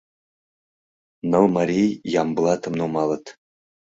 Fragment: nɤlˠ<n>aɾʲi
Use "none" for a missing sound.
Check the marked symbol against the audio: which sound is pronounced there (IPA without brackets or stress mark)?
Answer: m